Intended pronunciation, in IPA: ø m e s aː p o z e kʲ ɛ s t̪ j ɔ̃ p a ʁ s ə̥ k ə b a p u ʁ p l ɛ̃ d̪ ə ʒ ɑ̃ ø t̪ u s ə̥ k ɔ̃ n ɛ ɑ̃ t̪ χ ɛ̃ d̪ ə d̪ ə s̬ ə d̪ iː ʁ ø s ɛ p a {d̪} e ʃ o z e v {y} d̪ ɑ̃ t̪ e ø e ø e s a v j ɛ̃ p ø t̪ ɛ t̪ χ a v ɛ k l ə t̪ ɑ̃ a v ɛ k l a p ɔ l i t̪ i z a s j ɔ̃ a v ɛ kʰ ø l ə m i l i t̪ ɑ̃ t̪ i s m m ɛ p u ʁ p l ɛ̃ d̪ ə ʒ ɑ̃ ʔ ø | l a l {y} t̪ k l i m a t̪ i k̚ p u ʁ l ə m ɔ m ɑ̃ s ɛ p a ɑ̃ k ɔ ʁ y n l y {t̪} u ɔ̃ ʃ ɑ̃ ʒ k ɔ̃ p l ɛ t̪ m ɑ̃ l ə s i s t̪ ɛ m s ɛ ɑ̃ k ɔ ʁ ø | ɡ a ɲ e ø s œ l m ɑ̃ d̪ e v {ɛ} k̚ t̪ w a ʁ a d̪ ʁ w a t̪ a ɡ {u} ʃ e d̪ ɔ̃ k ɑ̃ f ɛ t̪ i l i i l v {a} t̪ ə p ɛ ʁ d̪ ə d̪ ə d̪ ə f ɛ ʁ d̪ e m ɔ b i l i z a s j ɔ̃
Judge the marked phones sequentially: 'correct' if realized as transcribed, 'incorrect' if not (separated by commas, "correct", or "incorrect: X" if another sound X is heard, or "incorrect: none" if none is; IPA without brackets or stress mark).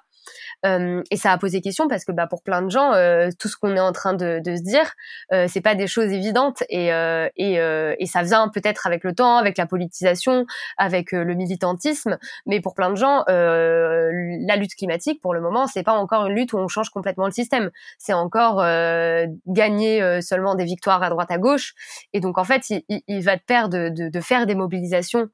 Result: correct, incorrect: i, correct, correct, incorrect: i, incorrect: o, correct